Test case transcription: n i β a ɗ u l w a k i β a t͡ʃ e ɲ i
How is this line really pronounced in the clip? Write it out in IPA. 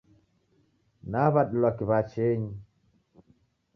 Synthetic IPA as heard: n a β a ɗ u l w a k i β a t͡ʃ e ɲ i